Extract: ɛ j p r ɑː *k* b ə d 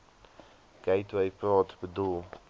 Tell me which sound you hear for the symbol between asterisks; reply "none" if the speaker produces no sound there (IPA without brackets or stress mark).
t